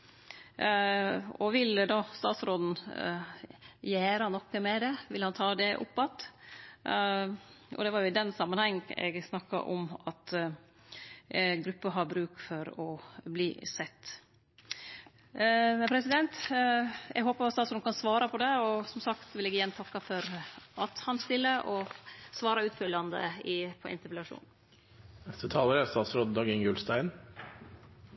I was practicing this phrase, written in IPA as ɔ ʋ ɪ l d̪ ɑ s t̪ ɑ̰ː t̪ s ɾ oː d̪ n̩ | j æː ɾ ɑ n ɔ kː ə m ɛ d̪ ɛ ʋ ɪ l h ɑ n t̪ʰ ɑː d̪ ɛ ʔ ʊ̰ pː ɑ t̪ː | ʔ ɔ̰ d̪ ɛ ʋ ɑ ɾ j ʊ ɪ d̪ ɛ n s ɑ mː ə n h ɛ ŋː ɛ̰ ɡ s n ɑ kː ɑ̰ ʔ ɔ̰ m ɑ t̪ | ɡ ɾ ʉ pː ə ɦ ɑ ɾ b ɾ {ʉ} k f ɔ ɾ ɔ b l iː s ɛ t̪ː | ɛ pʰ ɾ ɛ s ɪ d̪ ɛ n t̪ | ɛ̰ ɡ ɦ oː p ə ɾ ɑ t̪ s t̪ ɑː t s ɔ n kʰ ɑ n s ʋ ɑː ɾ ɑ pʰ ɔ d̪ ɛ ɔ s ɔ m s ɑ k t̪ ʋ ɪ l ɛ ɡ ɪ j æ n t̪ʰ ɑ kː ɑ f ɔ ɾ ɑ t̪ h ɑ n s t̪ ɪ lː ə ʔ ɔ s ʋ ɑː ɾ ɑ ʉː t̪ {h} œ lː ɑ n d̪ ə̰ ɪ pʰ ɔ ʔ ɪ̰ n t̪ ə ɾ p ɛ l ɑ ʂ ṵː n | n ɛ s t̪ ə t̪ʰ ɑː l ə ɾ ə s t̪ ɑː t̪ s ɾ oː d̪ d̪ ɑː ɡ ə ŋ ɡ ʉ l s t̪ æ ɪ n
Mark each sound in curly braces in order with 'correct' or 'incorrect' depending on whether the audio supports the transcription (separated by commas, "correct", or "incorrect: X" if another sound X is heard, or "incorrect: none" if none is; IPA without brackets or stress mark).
incorrect: ʉː, incorrect: f